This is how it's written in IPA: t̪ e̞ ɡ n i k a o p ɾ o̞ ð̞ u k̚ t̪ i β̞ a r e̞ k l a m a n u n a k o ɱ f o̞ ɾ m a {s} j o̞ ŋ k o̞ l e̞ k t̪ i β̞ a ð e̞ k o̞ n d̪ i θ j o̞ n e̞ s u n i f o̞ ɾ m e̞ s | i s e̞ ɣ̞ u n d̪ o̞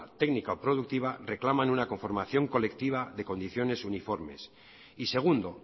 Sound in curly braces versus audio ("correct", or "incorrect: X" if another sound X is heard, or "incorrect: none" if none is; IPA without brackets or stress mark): incorrect: θ